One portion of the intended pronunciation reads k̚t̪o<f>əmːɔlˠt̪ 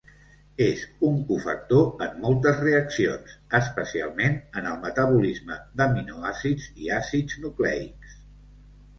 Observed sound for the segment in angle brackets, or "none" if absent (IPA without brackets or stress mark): none